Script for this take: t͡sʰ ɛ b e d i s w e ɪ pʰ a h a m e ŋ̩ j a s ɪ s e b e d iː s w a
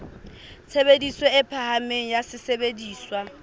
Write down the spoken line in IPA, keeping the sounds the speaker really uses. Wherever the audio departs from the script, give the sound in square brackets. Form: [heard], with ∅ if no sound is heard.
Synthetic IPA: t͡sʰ [e] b e d i s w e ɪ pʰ a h a m e ŋ̩ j a s ɪ s e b e d iː s w a